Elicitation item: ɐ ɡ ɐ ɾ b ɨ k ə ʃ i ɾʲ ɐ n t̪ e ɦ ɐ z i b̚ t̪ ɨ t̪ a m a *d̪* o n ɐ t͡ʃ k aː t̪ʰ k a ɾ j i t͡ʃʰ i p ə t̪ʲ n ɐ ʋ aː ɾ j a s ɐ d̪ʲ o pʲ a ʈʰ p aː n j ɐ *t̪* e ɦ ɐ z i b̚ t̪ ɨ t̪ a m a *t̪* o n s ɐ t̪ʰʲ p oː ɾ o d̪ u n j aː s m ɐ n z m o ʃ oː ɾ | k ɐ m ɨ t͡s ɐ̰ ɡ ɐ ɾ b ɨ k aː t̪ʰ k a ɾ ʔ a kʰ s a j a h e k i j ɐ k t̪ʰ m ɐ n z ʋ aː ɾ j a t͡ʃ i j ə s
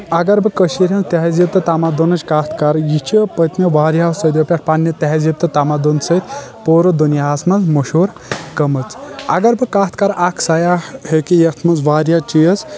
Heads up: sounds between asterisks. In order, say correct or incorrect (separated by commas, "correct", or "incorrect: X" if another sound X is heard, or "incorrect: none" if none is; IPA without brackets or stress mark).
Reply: correct, correct, incorrect: d̪